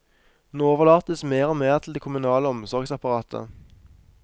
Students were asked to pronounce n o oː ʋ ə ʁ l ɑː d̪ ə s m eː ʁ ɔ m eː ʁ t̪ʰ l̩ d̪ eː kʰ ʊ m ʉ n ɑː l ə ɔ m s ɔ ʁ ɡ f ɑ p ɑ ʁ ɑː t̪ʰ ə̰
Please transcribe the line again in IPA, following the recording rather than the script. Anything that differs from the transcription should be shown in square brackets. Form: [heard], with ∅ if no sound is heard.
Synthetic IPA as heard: n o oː ʋ ə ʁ l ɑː [t̪] ə s m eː ʁ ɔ m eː ʁ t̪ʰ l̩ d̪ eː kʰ ʊ m ʉ n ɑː l ə ɔ m s ɔ ʁ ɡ [s] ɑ p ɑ ʁ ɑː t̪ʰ ə̰